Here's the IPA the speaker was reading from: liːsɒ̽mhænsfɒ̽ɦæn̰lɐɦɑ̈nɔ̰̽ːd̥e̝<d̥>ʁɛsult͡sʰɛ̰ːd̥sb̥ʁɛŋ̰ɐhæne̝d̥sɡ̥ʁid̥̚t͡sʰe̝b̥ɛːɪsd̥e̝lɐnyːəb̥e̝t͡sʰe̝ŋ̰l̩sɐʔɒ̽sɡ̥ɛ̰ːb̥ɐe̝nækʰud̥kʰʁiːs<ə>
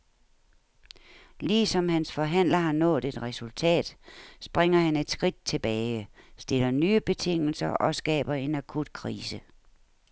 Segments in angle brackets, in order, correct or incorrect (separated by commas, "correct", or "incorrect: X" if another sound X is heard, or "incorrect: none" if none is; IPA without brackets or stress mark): correct, correct